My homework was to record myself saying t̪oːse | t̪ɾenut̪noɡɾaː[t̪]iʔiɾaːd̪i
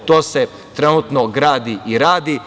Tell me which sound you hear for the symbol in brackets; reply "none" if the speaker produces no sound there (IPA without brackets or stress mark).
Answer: d̪